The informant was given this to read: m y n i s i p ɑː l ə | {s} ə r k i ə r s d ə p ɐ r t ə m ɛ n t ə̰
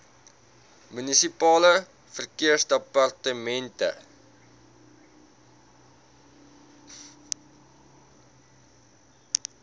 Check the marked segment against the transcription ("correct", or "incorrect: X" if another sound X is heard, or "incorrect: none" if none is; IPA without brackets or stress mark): incorrect: f